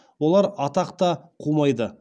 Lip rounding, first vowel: rounded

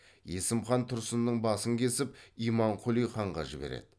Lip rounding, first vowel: unrounded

